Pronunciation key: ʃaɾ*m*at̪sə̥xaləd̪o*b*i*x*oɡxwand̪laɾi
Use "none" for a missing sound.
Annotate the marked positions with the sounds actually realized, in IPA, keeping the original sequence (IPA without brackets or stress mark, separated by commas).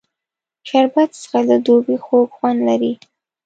b, b, x